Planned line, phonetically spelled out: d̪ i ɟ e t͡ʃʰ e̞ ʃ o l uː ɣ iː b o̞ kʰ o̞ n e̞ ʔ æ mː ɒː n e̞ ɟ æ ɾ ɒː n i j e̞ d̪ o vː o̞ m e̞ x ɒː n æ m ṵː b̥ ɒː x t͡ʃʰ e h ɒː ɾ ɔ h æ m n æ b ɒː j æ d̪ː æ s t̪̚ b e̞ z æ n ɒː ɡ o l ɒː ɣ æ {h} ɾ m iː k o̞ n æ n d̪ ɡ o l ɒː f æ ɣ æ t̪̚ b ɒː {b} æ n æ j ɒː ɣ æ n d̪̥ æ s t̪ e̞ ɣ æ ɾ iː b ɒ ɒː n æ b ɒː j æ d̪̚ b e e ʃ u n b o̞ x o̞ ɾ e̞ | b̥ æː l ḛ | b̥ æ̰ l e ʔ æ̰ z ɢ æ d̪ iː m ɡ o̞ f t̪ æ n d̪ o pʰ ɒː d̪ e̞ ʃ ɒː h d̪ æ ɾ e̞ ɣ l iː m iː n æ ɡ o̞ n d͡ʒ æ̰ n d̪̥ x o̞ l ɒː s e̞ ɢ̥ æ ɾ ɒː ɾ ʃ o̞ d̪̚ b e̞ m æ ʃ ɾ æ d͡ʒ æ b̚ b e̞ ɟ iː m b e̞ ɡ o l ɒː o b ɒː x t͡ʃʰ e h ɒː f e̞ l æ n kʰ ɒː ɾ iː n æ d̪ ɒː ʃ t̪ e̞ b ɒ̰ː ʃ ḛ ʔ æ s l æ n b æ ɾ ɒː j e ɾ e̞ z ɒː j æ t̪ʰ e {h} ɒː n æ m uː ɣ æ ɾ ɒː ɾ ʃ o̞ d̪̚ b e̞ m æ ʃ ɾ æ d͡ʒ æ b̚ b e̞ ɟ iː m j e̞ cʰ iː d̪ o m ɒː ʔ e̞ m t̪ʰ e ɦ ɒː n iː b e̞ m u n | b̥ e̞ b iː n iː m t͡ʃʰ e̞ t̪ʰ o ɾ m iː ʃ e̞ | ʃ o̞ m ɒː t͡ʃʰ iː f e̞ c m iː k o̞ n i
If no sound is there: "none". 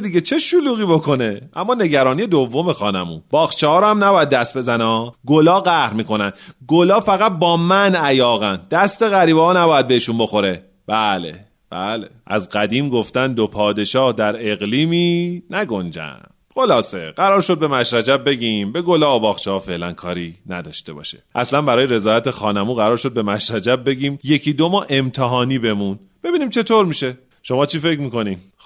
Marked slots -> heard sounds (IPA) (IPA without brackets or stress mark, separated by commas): h, m, x